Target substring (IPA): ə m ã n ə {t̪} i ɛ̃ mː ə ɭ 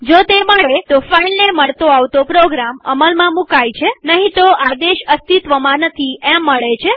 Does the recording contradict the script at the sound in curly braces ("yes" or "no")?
yes